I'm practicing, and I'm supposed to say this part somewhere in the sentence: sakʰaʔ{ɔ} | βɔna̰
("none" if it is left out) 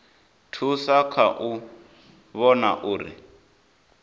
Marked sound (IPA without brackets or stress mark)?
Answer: u